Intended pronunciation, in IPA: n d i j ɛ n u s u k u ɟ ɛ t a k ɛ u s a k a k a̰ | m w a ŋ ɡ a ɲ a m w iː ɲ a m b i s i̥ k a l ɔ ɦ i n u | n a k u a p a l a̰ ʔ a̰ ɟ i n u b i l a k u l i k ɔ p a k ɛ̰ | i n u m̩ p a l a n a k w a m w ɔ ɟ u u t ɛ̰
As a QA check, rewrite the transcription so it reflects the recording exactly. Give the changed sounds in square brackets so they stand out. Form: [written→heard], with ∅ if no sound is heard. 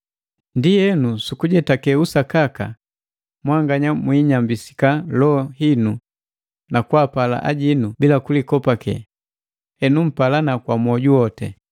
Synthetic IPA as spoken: n d i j ɛ n u s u k u ɟ ɛ t a k ɛ u s a k a k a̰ | m w a ŋ ɡ a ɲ a m w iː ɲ a m b i s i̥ k a l ɔ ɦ i n u | n a k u a p a l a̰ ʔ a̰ ɟ i n u b i l a k u l i k ɔ p a k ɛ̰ | [i→ɛ] n u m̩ p a l a n a k w a m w ɔ ɟ u [u→ɔ] t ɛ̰